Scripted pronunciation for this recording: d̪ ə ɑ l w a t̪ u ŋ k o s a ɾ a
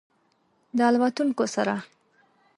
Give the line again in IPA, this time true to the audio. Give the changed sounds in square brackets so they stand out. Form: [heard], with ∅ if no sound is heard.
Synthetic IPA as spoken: d̪ ə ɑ l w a t̪ u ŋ k o s a ɾ a